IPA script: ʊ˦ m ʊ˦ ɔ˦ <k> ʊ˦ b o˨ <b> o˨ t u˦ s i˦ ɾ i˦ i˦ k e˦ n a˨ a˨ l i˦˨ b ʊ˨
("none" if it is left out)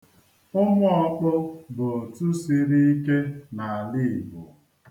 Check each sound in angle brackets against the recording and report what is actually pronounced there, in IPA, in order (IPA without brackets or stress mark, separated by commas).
k͡p, none